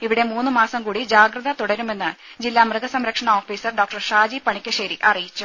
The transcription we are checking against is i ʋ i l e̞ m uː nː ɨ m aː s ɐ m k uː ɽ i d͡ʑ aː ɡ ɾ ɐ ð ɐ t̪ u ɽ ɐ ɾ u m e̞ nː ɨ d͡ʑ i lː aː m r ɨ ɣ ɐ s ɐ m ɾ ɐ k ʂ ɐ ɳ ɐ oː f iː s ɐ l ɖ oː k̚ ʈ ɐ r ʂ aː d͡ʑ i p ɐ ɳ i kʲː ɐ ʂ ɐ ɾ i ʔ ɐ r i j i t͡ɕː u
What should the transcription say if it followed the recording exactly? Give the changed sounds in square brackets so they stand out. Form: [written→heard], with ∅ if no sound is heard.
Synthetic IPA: i ʋ i [l→ɽ] e̞ m uː nː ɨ m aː s ɐ m k uː ɽ i d͡ʑ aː ɡ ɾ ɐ ð ɐ t̪ u ɽ ɐ ɾ u m e̞ nː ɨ d͡ʑ i lː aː m r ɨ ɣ ɐ s ɐ m ɾ ɐ k ʂ ɐ ɳ ɐ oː f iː s ɐ [l→r] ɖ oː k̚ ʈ ɐ r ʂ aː d͡ʑ i p ɐ ɳ i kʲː ɐ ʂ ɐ ɾ i ʔ ɐ r i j i t͡ɕː u